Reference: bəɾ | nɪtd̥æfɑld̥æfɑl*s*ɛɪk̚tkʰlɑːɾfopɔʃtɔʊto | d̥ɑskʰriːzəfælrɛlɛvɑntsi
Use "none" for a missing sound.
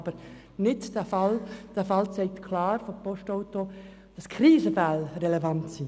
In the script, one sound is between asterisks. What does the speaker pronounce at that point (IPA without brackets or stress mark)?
t͡s